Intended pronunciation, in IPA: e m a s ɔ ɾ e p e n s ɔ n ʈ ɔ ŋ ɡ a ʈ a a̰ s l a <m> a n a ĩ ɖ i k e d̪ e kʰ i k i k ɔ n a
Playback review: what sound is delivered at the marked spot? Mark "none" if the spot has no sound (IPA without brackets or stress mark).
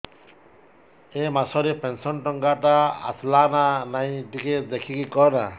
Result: n